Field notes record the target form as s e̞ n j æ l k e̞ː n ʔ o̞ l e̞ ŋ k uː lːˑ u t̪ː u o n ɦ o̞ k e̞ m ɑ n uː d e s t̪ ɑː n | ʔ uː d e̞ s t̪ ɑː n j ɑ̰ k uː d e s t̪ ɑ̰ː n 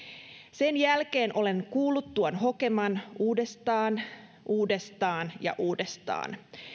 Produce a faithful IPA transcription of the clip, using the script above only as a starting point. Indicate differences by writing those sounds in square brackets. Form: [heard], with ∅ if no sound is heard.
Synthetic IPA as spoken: s e̞ n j æ l k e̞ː n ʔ o̞ l e̞ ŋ k uː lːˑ u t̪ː u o n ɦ o̞ k e̞ m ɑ n uː d e s t̪ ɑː n | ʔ uː d e̞ s t̪ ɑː n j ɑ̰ [ʔ] uː d e s t̪ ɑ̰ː n